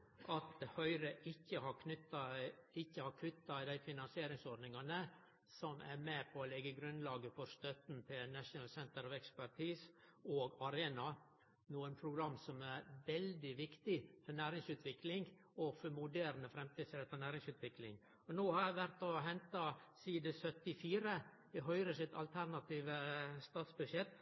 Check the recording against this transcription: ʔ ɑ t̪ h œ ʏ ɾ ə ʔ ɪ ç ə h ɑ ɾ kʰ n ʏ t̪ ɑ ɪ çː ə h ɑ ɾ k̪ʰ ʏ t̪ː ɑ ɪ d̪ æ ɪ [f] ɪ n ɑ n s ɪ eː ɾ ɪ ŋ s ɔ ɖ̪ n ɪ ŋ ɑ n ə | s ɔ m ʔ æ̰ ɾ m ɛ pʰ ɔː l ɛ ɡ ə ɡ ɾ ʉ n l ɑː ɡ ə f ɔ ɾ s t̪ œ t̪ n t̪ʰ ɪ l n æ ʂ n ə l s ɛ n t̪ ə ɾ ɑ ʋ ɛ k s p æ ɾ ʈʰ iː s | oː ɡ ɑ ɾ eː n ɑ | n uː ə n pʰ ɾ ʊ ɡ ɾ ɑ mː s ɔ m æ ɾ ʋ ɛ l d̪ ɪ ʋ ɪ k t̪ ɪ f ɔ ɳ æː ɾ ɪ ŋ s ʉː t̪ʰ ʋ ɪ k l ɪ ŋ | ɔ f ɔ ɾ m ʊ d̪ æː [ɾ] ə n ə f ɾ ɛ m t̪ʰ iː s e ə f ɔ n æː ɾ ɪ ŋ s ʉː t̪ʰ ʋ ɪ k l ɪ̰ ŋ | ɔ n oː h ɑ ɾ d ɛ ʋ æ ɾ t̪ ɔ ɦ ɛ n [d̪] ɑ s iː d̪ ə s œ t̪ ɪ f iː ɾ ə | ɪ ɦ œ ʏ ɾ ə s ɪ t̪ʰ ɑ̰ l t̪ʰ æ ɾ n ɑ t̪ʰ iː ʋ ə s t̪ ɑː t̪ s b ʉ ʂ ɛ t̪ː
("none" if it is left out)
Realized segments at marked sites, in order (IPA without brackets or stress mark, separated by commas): f, ɾ, t̪